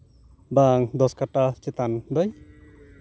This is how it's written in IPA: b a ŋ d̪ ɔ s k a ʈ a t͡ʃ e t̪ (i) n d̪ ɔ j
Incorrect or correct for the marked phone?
incorrect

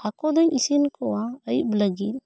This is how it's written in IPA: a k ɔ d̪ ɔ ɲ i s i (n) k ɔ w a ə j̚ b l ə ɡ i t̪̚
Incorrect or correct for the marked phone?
correct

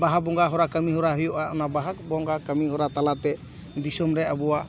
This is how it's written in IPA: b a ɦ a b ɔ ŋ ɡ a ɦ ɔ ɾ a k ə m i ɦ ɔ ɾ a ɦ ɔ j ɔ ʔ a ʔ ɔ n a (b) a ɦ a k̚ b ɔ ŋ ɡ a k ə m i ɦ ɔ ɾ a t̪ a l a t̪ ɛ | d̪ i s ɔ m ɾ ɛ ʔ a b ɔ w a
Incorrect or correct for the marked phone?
correct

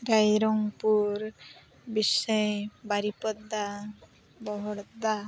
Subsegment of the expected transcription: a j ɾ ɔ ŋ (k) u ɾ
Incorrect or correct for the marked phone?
incorrect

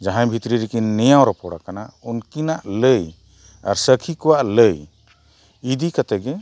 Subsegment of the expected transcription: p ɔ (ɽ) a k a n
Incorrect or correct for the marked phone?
correct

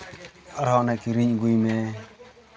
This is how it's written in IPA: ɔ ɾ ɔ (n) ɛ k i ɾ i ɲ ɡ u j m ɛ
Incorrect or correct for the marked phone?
correct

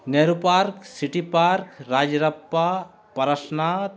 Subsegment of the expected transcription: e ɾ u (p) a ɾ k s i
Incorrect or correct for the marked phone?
correct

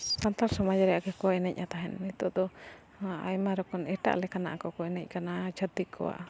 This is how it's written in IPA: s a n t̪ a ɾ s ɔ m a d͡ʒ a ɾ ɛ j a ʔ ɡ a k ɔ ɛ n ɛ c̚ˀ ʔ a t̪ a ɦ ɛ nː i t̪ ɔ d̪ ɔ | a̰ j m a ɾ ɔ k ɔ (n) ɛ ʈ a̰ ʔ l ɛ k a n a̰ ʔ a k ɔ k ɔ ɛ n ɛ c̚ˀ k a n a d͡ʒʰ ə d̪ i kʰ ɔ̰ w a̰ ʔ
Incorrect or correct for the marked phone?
correct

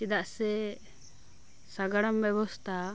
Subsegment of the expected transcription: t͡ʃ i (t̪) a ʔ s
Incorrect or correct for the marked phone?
incorrect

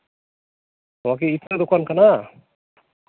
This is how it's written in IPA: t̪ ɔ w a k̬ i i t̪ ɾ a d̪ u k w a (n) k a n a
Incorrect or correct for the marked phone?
correct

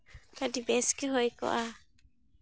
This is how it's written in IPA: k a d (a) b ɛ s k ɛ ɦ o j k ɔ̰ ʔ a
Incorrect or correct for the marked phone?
incorrect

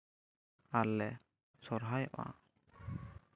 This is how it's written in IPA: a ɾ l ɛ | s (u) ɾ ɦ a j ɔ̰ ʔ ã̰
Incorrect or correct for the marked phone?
incorrect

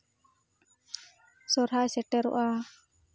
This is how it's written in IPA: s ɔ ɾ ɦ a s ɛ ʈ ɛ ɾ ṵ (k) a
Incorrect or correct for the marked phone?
incorrect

